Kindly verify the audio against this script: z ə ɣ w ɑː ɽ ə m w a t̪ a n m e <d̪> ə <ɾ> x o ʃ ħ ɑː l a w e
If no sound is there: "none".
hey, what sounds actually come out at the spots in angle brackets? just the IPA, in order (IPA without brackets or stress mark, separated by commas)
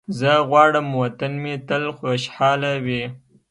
t̪, l